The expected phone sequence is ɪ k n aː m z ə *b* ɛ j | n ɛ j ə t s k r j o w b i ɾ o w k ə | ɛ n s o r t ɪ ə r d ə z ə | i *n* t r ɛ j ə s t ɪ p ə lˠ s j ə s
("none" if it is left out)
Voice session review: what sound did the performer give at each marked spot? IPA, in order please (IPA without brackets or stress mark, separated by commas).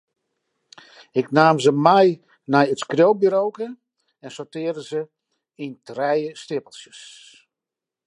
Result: m, n